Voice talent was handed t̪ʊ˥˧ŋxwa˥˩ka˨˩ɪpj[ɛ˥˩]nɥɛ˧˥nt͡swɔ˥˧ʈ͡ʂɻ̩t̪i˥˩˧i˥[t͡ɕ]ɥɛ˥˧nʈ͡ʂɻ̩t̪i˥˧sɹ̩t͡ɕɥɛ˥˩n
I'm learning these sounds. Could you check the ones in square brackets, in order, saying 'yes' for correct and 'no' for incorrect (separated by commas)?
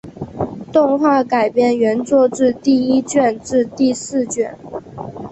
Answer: yes, yes